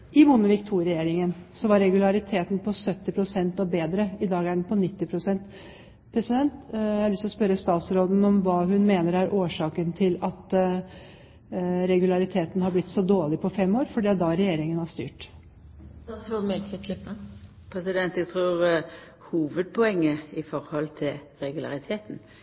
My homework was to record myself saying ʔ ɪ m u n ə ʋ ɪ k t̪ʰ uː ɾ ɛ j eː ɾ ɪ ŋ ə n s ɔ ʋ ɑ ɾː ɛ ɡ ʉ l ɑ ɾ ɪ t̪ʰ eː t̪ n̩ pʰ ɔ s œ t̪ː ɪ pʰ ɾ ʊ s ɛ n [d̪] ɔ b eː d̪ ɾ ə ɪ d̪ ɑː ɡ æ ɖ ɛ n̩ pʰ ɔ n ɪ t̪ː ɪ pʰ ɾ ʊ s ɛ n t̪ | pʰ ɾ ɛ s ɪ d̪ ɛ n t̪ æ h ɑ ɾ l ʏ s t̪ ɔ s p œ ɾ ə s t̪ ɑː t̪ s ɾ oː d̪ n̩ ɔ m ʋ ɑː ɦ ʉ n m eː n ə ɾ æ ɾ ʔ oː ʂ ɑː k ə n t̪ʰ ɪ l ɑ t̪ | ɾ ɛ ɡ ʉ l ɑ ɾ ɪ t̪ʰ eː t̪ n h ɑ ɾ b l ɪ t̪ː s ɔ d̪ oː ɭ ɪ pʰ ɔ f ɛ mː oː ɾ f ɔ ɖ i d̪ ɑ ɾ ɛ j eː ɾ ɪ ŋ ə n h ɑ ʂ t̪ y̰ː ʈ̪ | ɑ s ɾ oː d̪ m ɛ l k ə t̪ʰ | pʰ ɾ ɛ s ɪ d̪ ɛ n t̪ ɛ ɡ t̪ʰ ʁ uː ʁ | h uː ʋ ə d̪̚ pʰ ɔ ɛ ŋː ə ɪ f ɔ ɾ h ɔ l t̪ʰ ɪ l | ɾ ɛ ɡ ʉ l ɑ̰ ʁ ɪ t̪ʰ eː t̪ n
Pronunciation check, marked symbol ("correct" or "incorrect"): incorrect